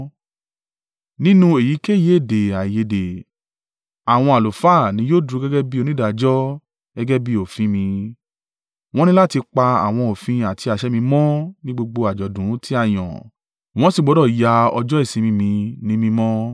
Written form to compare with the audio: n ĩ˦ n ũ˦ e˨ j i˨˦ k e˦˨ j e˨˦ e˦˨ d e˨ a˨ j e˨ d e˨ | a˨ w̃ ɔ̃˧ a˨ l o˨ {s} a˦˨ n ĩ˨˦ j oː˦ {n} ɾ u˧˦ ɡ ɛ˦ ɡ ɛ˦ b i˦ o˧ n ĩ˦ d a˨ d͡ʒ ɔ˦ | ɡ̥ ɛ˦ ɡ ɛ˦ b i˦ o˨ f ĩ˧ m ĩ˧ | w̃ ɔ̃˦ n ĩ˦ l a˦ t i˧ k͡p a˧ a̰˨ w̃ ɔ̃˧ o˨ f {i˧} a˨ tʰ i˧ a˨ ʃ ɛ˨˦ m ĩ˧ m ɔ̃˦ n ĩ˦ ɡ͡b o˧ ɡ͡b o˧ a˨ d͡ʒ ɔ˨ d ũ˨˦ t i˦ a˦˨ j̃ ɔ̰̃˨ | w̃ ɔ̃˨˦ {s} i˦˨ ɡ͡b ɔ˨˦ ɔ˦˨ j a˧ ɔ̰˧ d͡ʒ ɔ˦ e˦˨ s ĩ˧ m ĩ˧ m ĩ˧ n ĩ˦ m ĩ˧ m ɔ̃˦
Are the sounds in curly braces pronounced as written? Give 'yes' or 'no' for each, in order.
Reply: no, no, no, yes

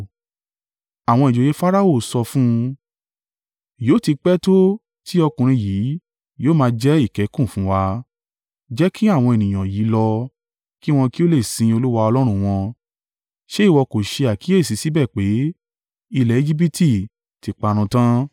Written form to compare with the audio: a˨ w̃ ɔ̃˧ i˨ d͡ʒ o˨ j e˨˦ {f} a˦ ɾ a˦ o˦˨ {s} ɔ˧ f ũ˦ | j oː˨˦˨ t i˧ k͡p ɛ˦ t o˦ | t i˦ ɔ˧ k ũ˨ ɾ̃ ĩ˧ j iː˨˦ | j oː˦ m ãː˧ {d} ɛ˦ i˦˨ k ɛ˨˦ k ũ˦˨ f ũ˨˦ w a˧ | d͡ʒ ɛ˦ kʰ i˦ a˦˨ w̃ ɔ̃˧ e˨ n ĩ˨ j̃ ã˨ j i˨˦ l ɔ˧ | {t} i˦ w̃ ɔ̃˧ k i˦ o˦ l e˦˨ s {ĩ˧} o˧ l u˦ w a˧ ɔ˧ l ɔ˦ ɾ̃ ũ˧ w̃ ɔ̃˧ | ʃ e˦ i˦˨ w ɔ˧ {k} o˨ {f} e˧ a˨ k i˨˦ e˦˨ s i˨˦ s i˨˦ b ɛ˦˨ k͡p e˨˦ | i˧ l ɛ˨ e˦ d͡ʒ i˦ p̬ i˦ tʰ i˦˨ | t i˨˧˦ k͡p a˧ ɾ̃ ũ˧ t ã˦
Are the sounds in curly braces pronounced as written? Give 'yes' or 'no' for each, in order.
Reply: yes, yes, no, no, yes, yes, no

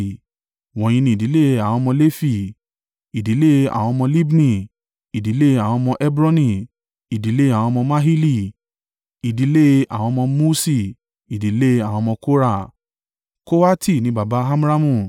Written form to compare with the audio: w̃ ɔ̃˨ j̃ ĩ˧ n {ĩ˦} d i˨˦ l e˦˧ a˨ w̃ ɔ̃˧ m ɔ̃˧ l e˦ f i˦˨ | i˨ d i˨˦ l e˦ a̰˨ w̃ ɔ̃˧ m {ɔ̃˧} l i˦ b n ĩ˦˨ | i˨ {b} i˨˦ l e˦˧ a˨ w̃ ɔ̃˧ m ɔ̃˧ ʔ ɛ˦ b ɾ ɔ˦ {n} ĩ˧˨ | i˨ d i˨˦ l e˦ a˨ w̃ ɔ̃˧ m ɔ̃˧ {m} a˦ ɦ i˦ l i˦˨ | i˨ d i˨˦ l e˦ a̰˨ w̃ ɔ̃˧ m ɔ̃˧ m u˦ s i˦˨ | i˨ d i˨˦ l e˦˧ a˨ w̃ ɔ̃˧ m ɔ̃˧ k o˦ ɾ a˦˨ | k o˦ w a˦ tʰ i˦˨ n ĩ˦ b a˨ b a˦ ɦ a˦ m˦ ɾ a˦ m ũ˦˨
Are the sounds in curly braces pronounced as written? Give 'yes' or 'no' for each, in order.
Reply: no, yes, no, yes, yes

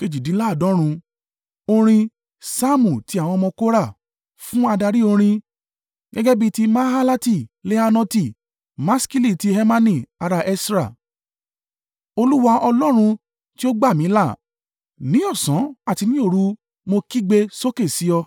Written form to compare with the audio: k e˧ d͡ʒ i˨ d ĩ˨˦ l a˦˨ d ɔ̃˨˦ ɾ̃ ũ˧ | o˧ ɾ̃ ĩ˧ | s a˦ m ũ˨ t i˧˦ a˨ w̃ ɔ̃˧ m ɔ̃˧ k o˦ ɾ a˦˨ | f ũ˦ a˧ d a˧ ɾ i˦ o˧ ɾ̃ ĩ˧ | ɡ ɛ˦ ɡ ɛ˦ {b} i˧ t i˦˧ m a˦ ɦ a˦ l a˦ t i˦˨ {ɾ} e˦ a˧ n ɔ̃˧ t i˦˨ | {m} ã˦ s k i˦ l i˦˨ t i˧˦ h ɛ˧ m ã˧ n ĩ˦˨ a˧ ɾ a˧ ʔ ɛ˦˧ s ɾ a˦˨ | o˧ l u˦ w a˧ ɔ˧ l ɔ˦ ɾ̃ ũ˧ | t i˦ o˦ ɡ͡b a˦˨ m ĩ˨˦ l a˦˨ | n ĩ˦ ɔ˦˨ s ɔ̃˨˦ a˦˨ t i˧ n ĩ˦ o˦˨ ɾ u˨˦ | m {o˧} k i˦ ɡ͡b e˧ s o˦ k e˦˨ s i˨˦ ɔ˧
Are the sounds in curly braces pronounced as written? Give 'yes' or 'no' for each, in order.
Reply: yes, no, yes, yes

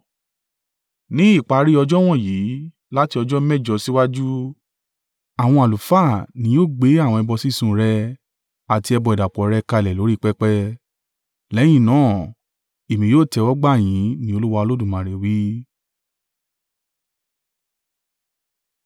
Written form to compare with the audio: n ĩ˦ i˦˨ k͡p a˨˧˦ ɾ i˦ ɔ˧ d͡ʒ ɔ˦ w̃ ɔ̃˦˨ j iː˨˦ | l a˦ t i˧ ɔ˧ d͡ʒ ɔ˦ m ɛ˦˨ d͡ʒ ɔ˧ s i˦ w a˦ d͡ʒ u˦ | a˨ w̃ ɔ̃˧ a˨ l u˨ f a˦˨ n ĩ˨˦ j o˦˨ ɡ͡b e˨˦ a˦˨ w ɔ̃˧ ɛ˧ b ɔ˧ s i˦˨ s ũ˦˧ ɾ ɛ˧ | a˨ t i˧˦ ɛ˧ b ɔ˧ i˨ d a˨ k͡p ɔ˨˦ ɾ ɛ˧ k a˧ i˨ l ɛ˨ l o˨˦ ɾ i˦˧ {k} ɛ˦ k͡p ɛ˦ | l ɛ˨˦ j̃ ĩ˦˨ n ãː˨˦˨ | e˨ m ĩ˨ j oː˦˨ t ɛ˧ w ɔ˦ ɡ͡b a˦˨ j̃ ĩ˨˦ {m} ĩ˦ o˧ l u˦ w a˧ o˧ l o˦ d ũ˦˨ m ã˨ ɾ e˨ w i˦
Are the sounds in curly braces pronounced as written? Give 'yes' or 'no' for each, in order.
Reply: no, no

